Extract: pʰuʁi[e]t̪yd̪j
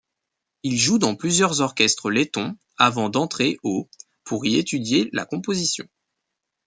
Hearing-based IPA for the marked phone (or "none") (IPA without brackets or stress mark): e